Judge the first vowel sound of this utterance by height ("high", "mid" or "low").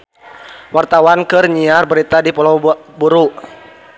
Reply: low